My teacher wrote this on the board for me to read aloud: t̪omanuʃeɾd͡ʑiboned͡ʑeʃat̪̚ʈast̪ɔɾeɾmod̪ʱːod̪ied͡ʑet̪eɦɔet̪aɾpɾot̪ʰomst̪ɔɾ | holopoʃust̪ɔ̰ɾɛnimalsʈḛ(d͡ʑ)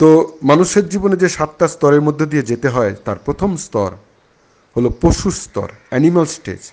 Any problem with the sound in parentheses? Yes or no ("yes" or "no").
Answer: no